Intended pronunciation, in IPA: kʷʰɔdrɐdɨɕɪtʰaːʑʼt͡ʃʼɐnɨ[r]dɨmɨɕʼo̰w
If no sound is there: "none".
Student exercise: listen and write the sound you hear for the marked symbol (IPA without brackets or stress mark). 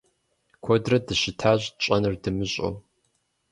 r